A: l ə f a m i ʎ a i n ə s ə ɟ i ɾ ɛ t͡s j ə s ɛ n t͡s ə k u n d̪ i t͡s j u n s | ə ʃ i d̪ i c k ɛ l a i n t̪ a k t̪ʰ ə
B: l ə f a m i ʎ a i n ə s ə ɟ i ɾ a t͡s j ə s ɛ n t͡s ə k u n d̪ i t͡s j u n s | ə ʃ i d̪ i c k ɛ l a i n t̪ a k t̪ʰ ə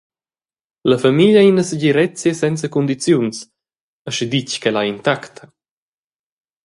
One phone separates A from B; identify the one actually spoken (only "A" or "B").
A